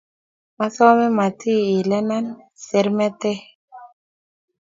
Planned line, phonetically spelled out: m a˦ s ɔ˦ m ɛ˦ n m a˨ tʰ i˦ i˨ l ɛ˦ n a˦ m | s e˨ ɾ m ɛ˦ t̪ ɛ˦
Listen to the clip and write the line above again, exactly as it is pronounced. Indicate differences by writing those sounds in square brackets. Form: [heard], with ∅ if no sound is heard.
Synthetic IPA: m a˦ s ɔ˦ m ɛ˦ [∅] m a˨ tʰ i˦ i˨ l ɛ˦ n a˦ [n] | s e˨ ɾ m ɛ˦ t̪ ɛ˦